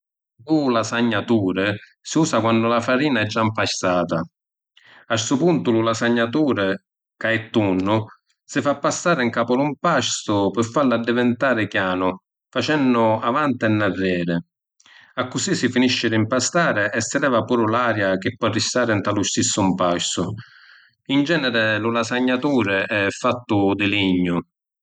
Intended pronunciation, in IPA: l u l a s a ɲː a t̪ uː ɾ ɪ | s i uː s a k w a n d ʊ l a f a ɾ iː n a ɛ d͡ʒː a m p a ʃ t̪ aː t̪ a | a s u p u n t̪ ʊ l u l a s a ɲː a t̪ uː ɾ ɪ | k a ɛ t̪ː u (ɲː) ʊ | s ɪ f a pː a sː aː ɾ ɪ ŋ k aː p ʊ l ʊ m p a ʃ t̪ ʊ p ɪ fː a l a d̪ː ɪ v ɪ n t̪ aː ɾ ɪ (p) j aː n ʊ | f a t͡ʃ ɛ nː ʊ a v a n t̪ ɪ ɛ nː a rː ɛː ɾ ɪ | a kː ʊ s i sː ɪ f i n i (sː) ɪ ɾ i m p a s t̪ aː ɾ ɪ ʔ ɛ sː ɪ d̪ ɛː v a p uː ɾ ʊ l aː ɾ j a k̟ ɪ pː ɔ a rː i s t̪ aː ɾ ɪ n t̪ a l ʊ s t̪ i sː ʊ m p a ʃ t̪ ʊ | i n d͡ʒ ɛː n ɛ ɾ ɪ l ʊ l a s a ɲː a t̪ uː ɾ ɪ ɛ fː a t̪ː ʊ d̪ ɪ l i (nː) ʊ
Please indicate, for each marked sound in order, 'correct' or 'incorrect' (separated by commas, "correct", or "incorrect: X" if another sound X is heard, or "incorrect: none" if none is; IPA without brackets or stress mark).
incorrect: nː, incorrect: k, incorrect: ʃː, incorrect: ɲː